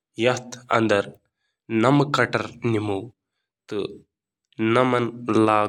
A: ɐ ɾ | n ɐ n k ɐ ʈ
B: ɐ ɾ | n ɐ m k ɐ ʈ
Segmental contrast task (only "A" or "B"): B